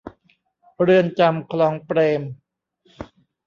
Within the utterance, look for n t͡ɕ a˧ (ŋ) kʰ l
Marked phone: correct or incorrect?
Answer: incorrect: m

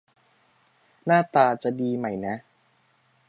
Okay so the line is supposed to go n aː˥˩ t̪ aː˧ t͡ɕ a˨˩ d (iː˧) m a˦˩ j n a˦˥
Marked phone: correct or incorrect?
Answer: correct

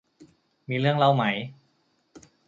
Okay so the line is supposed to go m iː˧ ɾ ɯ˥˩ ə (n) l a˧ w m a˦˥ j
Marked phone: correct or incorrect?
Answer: incorrect: ŋ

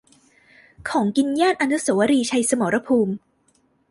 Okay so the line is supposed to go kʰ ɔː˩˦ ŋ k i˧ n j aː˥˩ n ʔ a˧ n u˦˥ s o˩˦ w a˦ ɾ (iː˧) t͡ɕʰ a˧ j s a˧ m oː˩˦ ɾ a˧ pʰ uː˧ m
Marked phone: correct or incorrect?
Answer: correct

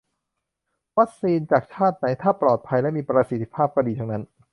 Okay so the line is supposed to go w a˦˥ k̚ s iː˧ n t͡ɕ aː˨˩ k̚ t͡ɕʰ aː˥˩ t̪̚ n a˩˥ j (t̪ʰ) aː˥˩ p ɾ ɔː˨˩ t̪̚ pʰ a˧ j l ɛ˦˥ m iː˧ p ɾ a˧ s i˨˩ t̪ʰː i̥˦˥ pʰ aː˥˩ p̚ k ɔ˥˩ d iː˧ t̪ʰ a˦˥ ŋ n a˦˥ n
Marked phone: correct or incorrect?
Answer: correct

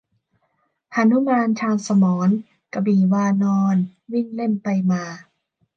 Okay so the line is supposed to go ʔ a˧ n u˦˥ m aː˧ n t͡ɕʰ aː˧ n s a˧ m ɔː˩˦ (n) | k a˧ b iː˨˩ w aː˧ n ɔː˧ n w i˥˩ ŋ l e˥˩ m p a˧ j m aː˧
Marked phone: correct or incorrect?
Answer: correct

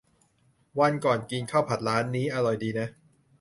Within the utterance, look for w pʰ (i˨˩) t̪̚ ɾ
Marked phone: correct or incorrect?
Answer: incorrect: a˨˩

